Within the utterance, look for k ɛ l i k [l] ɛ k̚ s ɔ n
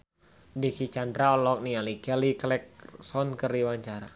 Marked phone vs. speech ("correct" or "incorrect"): correct